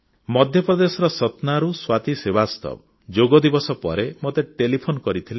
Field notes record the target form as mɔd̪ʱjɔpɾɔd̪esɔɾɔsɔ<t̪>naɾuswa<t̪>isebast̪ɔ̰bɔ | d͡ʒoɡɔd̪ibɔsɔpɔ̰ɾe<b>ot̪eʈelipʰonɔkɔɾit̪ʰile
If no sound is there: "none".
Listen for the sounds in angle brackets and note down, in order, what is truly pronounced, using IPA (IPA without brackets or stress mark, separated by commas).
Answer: t̪, t̪, m